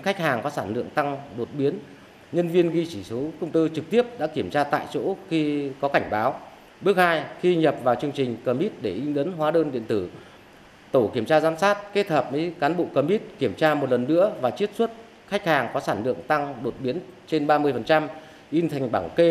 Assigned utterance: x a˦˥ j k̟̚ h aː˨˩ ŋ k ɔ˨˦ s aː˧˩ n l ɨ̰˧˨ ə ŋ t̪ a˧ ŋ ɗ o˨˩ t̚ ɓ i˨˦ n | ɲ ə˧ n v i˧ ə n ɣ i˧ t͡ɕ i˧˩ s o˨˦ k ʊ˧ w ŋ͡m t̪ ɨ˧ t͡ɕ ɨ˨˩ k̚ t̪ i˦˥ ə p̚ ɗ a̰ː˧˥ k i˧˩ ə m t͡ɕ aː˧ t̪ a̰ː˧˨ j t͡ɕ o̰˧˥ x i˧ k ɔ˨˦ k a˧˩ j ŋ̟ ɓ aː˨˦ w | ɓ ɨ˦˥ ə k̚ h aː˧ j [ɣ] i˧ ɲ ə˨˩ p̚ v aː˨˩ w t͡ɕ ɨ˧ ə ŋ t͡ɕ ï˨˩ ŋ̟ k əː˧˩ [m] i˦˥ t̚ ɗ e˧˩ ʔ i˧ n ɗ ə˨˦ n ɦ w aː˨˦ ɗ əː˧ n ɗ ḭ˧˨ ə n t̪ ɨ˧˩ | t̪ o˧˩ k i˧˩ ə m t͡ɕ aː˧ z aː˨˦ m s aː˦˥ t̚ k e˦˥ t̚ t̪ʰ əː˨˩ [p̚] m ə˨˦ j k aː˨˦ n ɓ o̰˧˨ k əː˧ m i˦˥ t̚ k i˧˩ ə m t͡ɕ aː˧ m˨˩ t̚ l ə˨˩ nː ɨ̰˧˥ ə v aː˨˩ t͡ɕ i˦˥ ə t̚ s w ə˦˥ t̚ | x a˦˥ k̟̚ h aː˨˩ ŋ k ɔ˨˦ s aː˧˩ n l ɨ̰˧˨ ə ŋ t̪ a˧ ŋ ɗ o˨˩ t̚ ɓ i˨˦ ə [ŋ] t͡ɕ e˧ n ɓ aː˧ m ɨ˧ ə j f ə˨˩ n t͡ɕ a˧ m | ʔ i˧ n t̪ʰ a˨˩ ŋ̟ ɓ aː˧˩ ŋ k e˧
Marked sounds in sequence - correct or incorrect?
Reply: incorrect: x, correct, correct, incorrect: n

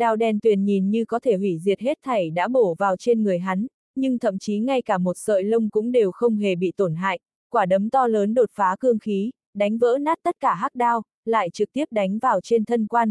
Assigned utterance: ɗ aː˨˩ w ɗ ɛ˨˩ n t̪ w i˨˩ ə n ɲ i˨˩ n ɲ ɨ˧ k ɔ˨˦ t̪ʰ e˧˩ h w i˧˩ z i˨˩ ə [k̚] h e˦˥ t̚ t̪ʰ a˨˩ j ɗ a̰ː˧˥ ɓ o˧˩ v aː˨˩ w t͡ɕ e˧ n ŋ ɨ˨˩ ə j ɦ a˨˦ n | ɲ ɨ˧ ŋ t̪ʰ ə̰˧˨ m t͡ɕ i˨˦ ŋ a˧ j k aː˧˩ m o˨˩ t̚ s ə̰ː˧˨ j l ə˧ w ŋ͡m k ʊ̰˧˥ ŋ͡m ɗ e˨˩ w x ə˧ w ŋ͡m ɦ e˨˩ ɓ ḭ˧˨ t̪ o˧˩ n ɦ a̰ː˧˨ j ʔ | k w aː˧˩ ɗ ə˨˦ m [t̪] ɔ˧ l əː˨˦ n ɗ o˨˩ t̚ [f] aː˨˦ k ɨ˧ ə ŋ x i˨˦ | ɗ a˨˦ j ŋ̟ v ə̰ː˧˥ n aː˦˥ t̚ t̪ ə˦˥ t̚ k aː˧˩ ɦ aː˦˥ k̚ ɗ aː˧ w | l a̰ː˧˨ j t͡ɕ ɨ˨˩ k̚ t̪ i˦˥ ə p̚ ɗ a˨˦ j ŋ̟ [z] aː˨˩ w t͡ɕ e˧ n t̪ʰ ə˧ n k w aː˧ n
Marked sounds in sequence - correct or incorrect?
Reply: incorrect: t̚, correct, correct, incorrect: v

